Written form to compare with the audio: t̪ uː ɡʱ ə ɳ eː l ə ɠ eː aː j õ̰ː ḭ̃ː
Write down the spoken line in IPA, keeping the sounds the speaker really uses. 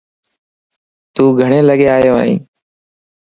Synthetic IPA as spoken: t̪ uː ɡʱ ə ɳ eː l ə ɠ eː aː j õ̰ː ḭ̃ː